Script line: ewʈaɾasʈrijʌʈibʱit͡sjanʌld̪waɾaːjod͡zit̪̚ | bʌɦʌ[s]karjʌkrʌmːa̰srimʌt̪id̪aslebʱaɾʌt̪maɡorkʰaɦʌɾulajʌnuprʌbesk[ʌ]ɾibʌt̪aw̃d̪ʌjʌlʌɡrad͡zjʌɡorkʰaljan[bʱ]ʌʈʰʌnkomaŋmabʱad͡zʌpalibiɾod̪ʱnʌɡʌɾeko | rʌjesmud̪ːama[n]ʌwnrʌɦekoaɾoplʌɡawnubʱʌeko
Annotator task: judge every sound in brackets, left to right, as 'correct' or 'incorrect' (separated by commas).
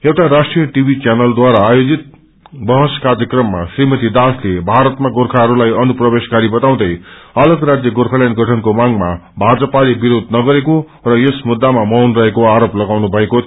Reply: correct, incorrect, incorrect, incorrect